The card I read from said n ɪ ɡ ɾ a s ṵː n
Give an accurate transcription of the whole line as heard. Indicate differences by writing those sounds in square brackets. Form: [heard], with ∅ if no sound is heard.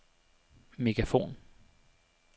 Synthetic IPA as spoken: [m] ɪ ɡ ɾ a [f] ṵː n